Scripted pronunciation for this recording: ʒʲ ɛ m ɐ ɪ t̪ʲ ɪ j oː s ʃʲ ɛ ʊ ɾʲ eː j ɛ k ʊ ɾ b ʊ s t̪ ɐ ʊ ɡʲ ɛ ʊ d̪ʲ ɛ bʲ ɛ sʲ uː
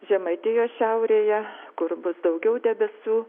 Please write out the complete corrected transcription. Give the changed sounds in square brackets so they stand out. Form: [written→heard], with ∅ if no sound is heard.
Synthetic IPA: ʒʲ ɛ m ɐ ɪ t̪ʲ ɪ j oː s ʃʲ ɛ ʊ ɾʲ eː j ɛ k ʊ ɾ b ʊ s [t̪→d̪] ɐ ʊ ɡʲ ɛ ʊ d̪ʲ ɛ bʲ ɛ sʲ uː